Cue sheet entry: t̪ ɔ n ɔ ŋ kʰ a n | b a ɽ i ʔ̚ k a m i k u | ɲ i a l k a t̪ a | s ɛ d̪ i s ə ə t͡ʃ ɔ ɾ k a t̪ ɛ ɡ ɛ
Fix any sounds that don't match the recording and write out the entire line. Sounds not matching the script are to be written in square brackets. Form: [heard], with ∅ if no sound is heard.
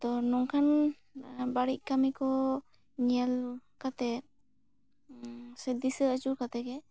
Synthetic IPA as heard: t̪ ɔ n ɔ ŋ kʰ a n | b a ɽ i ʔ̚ k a m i k [ɔ] | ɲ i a l k a t̪ [ɛ] | s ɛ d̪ i s ə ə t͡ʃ [u] ɾ k a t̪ ɛ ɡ ɛ